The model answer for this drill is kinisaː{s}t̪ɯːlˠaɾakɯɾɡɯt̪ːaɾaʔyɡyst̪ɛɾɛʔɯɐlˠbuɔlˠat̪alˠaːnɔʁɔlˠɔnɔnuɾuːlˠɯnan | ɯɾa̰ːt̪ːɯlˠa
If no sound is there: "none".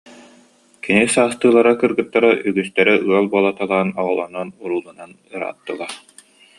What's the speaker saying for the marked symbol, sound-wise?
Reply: s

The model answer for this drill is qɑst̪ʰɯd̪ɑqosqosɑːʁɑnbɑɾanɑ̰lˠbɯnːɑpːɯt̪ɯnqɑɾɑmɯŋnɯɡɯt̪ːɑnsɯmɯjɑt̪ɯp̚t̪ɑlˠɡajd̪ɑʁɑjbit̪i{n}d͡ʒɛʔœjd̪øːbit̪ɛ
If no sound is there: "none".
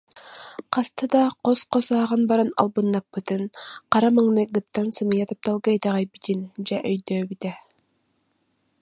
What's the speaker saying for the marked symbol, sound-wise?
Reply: n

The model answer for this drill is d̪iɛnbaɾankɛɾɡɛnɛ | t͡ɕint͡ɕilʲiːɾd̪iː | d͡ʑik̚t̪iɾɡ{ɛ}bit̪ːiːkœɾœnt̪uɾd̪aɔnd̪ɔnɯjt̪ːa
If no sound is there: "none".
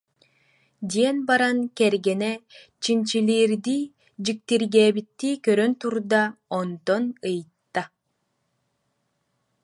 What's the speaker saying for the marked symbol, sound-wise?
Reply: ɛː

